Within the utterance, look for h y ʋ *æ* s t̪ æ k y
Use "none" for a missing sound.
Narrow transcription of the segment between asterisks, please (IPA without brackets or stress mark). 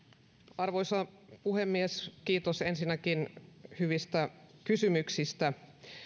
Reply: i